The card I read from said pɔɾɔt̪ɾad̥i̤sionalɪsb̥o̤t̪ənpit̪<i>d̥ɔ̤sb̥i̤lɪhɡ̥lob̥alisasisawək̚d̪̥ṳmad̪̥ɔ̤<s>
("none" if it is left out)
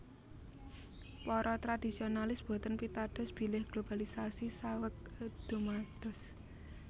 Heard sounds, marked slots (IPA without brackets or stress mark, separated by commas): a, s